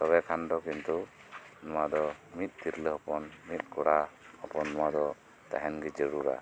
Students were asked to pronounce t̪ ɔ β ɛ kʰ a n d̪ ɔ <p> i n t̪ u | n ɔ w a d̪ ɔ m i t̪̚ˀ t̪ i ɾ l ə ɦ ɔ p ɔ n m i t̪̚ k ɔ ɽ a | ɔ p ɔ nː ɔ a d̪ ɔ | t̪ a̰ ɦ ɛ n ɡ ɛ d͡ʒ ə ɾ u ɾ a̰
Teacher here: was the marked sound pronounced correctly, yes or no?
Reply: no